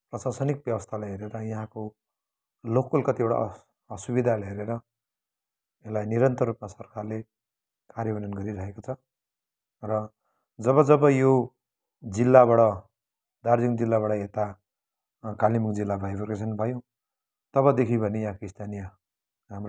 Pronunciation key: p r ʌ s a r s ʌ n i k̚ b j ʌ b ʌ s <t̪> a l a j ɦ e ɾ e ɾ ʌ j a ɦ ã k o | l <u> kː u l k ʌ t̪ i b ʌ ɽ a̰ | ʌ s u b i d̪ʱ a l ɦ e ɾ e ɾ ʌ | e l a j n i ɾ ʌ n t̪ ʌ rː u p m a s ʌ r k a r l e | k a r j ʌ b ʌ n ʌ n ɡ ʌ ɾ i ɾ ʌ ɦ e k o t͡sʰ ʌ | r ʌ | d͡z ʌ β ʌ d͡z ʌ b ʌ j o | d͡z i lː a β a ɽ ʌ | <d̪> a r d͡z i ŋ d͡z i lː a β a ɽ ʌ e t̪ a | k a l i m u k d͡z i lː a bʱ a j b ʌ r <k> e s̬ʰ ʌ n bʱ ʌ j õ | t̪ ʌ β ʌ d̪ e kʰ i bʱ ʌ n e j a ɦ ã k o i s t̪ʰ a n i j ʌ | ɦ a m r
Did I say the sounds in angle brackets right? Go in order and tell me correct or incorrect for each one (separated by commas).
incorrect, incorrect, correct, correct